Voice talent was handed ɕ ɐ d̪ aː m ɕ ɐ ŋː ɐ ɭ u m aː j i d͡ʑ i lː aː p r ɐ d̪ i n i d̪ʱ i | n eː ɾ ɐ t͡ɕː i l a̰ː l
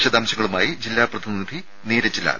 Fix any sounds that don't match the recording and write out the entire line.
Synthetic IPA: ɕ ɐ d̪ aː m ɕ ɐ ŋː ɐ ɭ u m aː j i d͡ʑ i lː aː p r ɐ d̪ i n i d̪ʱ i | n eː ɾ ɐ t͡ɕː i l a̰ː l

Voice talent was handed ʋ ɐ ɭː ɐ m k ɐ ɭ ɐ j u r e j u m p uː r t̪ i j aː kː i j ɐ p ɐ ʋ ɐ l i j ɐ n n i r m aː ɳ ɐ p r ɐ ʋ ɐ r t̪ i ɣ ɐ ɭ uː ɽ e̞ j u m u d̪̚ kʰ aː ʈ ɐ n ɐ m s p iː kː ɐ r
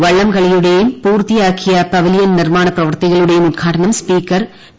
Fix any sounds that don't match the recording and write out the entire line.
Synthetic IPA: ʋ ɐ ɭː ɐ m k ɐ ɭ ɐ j u ɽ e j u m p uː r t̪ i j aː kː i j ɐ p ɐ ʋ ɐ l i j ɐ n n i r m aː ɳ ɐ p r ɐ ʋ ɐ r t̪ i ɣ ɐ ɭ u ɽ e̞ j u m u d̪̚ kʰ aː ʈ ɐ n ɐ m s p iː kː ɐ r

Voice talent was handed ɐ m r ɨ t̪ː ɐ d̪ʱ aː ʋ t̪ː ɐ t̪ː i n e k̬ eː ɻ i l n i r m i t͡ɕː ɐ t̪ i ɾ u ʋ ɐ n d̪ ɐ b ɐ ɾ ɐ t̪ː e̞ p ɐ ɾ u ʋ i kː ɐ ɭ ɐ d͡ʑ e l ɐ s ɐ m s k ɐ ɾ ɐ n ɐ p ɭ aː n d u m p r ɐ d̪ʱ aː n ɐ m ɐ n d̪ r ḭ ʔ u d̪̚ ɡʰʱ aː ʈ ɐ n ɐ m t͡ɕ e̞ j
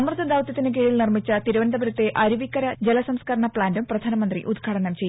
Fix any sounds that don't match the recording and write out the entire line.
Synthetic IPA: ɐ m r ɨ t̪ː ɐ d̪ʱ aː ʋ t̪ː ɐ t̪ː i n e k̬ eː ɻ i l n i r m i t͡ɕː ɐ t̪ i ɾ u ʋ ɐ n d̪ ɐ b ɐ ɾ ɐ t̪ː e̞ ʔ ɐ ɾ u ʋ i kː ɐ ɾ ɐ d͡ʑ e l ɐ s ɐ m s k ɐ ɾ ɐ ɳ ɐ p ɭ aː n d u m p r ɐ d̪ʱ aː n ɐ m ɐ n d̪ r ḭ ʔ u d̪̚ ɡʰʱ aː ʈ ɐ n ɐ m t͡ɕ e̞ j

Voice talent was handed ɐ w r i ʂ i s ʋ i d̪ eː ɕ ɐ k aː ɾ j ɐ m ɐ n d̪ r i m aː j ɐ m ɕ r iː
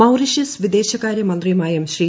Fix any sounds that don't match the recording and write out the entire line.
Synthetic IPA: ɐ w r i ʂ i s ʋ i d̪ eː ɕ ɐ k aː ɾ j ɐ m ɐ n d̪ r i m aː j ɐ m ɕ r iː

